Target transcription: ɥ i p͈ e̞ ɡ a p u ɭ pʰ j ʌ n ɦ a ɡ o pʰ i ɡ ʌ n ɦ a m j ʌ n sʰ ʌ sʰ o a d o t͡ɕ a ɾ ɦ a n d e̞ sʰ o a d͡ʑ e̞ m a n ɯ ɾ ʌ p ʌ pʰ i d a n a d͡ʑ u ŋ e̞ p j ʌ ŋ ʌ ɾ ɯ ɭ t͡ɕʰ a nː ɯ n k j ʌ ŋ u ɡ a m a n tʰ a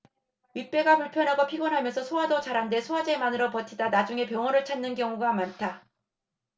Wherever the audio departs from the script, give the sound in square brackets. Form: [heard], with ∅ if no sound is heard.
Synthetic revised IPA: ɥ i p͈ e̞ ɡ a p u ɭ pʰ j ʌ n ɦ a ɡ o pʰ i ɡ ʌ n ɦ a m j ʌ n sʰ ʌ sʰ o a d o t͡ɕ a ɾ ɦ a n d e̞ sʰ o a d͡ʑ e̞ m a n ɯ ɾ ʌ p ʌ [tʰ] i d a n a d͡ʑ u ŋ e̞ p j ʌ ŋ ʌ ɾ ɯ ɭ t͡ɕʰ a nː ɯ n k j ʌ ŋ u ɡ a m a n tʰ a